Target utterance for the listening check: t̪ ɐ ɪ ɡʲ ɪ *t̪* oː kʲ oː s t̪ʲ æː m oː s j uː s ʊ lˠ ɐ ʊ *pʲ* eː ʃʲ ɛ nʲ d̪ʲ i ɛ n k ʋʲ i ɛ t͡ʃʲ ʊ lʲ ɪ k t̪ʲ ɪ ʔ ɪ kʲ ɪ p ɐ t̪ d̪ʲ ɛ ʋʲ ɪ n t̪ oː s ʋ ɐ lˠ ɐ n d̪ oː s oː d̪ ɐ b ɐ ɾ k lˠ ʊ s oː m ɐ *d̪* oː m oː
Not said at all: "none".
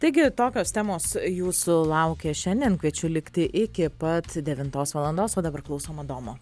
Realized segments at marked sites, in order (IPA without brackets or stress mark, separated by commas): t̪, kʲ, d̪